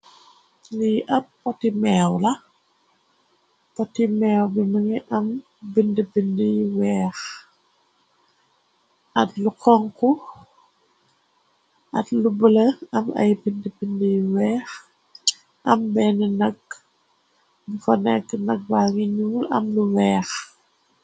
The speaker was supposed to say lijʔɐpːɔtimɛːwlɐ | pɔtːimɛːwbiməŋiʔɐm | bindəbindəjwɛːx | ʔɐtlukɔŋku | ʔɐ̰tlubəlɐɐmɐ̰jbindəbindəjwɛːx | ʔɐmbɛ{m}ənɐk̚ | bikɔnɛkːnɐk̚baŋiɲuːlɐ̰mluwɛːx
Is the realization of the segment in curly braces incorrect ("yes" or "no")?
yes